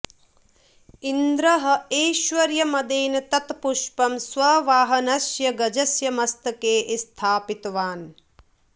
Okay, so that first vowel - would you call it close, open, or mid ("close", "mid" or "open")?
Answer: close